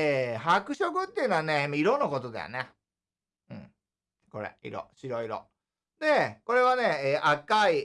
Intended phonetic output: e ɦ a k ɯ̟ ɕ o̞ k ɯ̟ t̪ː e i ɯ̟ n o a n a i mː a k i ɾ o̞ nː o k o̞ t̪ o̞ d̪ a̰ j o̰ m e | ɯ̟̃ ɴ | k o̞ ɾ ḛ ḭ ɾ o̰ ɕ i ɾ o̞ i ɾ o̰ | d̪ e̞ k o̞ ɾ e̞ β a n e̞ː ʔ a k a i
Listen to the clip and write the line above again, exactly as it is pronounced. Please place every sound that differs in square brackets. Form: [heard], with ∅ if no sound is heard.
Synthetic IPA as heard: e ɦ a k ɯ̟ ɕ o̞ k ɯ̟ t̪ː e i ɯ̟ n o a n [e] i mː a [∅] i ɾ o̞ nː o k o̞ t̪ o̞ d̪ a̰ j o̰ [n] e | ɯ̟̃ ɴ | k o̞ ɾ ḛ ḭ ɾ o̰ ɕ i ɾ o̞ i ɾ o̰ | d̪ e̞ k o̞ ɾ e̞ β a n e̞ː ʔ a k a i

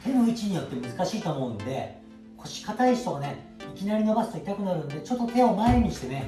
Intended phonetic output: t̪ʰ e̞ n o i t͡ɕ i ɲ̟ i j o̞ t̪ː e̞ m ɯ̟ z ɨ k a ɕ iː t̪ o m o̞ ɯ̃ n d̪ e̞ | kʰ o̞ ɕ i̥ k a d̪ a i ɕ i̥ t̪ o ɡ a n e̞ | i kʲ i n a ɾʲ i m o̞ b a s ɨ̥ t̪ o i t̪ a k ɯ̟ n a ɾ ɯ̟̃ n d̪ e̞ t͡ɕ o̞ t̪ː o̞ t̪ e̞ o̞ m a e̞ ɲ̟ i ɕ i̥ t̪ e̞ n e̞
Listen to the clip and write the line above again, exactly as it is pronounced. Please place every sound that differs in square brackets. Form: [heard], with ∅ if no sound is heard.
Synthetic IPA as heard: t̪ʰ e̞ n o i t͡ɕ i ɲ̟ i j o̞ t̪ː e̞ m ɯ̟ z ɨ k a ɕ iː t̪ o m o̞ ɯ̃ n d̪ e̞ | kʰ o̞ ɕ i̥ k a [t̪] a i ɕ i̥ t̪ o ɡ a n e̞ | i kʲ i n a ɾʲ i [n] o̞ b a s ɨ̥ t̪ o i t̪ a k ɯ̟ n a ɾ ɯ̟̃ n d̪ e̞ t͡ɕ o̞ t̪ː o̞ t̪ e̞ o̞ m a e̞ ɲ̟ i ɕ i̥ t̪ e̞ n e̞

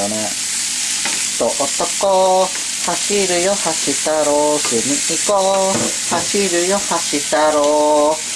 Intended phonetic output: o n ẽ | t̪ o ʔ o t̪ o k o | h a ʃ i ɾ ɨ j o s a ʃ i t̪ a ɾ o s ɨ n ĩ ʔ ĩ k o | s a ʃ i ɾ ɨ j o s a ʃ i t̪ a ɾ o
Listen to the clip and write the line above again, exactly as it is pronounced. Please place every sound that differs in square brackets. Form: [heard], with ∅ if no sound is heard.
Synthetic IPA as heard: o n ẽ | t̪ o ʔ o t̪ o k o | h a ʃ i ɾ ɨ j o [h] a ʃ i t̪ a ɾ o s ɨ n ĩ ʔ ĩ k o | [h] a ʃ i ɾ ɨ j o [h] a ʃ i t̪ a ɾ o

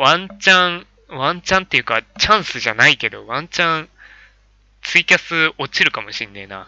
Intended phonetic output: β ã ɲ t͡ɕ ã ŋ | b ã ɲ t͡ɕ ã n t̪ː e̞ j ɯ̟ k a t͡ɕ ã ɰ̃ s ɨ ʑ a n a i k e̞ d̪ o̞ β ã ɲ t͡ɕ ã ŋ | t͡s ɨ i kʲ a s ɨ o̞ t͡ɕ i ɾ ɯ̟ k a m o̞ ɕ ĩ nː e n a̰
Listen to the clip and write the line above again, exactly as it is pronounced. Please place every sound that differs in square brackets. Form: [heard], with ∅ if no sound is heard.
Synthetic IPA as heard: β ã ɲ t͡ɕ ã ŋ | [β] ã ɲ t͡ɕ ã n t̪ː e̞ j ɯ̟ k a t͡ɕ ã ɰ̃ s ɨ ʑ a n a i k e̞ d̪ o̞ β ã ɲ t͡ɕ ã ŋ | t͡s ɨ i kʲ a s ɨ o̞ t͡ɕ i ɾ ɯ̟ k a m o̞ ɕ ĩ nː e n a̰

